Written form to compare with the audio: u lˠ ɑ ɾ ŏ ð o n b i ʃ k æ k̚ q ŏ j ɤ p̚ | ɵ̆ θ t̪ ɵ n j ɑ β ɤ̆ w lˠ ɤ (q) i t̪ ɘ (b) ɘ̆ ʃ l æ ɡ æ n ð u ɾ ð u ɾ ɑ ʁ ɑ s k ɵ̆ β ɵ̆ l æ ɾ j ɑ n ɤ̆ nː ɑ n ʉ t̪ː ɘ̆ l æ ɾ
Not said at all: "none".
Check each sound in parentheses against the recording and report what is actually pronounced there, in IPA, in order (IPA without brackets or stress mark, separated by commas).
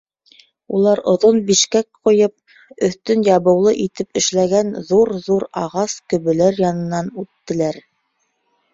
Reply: ʔ, p